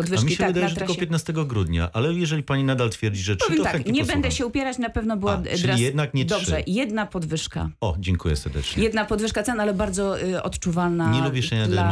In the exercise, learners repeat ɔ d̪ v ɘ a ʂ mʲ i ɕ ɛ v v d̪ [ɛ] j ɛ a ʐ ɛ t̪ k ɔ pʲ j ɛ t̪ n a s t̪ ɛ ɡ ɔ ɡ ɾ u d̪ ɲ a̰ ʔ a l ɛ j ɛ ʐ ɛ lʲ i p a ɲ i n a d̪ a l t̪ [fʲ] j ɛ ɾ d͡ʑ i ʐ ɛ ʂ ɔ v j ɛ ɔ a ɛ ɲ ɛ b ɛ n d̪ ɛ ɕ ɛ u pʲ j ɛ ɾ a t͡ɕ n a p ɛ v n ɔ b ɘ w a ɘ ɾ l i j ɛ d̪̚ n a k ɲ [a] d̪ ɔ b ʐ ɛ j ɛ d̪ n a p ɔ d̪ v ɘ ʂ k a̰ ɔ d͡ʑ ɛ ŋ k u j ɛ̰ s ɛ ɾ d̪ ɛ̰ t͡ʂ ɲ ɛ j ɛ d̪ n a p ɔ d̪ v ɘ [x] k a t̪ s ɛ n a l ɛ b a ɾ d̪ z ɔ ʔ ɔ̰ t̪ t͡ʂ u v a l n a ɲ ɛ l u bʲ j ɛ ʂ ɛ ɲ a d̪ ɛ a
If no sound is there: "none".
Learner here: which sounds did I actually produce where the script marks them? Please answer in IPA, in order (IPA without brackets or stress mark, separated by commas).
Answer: a, fʲ, ɛ, ʂ